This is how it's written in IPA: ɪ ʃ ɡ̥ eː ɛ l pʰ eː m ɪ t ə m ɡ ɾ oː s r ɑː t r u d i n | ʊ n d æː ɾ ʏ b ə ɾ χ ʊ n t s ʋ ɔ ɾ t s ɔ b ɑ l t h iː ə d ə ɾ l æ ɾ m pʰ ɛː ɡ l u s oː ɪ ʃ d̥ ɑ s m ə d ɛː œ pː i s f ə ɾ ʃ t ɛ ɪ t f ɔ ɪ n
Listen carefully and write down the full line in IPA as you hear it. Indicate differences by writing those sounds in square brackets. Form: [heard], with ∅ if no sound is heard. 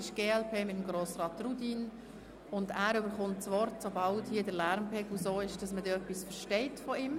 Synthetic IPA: ɪ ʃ ɡ̥ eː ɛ l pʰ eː m ɪ t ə m ɡ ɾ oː s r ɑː t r u d i n | ʊ n d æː ɾ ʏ b ə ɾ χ ʊ n t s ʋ ɔ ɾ t s [o] b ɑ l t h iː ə d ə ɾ l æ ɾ m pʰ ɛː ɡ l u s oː ɪ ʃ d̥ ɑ s m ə d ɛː œ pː i s f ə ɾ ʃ t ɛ ɪ t f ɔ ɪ [m]

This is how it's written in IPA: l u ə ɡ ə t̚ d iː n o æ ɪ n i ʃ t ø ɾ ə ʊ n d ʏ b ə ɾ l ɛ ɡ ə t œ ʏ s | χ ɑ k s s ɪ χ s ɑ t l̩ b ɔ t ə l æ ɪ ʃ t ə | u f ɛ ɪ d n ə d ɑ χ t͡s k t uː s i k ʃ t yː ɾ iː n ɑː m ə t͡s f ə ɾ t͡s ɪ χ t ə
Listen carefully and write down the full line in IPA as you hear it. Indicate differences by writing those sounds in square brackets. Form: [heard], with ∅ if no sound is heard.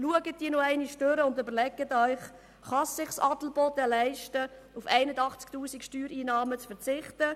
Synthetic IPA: l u ə ɡ ə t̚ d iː n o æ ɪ n i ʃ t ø ɾ ə ʊ n d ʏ b ə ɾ l ɛ ɡ ə t œ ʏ [χ] | χ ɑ [∅] s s ɪ χ s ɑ t l̩ b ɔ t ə l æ ɪ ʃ t ə | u f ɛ ɪ [∅] n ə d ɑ χ t͡s k t uː s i k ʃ t yː ɾ iː n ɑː m ə t͡s f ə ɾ t͡s ɪ χ t ə

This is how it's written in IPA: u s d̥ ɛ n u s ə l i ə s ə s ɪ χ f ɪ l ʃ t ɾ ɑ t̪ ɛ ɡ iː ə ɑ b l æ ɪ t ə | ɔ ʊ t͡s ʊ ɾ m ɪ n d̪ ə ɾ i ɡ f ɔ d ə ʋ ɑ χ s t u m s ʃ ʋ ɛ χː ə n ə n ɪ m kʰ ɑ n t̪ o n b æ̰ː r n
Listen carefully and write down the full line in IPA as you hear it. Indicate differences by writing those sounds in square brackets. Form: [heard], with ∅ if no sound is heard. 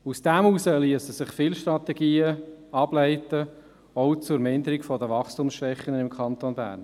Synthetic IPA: u s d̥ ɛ [m] u s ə l i ə s ə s ɪ χ f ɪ l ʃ t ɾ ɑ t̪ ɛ ɡ iː ə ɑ b l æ ɪ t ə | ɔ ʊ t͡s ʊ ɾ m ɪ n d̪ ə ɾ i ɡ f ɔ d ə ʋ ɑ χ s t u m s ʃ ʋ ɛ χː ə n ə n ɪ m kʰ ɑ n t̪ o n b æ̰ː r n

